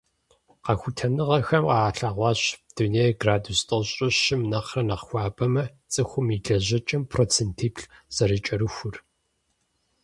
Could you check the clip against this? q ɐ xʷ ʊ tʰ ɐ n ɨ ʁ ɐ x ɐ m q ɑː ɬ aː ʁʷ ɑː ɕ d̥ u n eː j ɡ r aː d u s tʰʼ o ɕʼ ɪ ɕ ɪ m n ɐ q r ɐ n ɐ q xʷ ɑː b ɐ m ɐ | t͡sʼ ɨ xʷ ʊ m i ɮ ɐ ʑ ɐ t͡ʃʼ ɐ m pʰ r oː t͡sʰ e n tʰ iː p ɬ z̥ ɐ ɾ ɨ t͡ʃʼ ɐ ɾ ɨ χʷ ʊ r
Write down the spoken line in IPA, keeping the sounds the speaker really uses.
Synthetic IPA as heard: q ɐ xʷ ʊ tʰ ɐ n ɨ ʁ ɐ x ɐ m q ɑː ɬ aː ʁʷ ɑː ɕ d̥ u n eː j ɡ r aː d u s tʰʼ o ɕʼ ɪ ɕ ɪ m n ɐ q r ɐ n ɐ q xʷ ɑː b ɐ m ɐ | t͡sʼ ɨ xʷ ʊ m i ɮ ɐ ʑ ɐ t͡ʃʼ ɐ m pʰ r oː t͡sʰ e n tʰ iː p ɬ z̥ ɐ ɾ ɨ t͡ʃʼ ɐ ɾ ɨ xʷ ʊ r